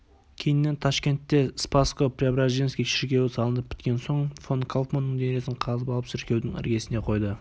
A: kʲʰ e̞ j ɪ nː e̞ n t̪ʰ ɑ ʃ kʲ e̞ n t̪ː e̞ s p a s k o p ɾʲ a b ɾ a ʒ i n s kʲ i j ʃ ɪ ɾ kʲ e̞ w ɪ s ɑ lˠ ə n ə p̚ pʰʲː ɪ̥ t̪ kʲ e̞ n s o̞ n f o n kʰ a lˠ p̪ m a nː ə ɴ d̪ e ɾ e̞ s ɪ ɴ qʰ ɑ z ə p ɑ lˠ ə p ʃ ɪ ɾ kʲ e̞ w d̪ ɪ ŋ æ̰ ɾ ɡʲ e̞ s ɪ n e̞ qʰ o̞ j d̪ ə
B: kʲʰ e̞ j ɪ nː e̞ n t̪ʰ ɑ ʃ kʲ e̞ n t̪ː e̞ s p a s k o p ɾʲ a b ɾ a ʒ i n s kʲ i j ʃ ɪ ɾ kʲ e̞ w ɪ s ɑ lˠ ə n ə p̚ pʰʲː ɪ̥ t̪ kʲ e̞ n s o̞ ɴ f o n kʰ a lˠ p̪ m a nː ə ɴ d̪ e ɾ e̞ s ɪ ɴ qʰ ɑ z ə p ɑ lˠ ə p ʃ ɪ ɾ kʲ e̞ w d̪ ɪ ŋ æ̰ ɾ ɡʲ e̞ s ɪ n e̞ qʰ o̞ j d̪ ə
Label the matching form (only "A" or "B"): B